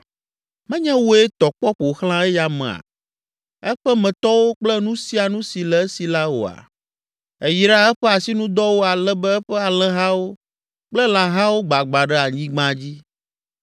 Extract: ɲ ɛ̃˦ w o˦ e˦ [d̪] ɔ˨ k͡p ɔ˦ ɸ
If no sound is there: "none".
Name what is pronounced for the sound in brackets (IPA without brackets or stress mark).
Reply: t̪